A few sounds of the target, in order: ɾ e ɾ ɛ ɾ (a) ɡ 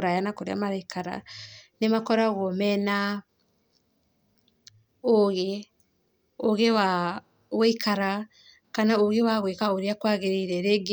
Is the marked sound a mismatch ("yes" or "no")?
yes